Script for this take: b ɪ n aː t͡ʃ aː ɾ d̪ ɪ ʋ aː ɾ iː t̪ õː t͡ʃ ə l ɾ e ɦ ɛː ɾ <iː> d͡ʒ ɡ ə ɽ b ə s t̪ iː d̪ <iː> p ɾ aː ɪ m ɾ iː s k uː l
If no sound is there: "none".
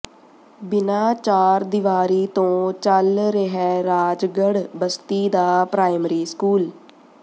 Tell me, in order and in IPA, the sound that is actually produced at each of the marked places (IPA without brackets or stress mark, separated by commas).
aː, aː